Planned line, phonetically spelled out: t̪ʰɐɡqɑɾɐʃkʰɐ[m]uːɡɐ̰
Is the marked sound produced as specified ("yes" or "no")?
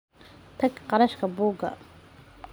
no